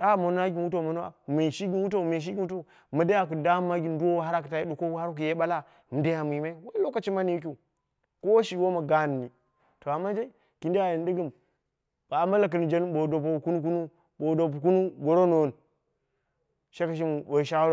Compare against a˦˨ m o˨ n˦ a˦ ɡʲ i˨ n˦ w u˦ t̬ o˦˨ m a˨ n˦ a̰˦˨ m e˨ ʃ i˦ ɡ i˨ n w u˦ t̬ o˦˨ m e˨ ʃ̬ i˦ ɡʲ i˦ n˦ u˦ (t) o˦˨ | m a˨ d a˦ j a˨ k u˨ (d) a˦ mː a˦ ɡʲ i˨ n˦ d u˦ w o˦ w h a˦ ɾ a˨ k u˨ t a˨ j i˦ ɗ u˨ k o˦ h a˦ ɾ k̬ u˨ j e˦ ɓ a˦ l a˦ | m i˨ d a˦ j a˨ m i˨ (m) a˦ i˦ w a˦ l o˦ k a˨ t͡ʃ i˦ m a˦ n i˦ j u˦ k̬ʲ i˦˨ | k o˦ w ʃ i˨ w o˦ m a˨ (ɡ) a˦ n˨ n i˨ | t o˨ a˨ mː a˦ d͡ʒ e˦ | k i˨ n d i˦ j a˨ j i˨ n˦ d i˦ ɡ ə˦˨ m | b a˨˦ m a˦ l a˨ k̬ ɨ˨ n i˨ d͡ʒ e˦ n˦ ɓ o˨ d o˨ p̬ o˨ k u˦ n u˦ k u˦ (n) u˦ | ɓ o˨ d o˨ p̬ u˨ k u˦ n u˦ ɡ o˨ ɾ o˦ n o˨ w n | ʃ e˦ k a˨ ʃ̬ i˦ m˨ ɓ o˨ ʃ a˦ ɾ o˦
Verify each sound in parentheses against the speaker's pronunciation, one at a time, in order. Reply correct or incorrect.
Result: correct, correct, correct, correct, correct

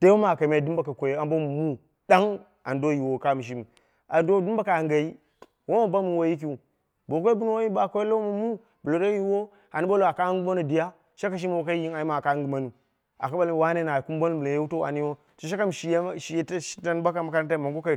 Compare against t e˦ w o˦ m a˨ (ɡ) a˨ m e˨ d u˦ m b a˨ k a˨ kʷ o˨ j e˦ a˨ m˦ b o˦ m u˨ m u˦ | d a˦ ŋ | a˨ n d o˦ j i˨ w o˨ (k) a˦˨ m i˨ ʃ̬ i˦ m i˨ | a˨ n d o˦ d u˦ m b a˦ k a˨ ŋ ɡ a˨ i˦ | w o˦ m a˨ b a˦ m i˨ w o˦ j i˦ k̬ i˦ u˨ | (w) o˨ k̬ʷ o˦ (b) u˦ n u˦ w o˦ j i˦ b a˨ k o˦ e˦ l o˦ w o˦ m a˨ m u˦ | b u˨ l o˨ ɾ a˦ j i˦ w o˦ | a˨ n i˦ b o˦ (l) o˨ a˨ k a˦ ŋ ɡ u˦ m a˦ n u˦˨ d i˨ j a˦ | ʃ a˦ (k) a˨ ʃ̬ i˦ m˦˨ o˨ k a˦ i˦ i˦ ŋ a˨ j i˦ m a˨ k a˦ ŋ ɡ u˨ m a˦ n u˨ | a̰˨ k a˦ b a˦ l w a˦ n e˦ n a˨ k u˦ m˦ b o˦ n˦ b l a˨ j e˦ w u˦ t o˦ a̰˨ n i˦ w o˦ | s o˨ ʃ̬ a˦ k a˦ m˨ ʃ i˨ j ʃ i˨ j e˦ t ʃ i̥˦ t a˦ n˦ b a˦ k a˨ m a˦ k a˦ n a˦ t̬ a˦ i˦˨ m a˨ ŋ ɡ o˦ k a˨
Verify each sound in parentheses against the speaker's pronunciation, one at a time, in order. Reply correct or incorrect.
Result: incorrect, correct, incorrect, correct, correct, correct

